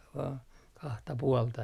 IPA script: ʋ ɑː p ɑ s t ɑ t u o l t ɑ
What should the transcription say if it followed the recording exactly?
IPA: ʋ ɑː k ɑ h t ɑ p u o l t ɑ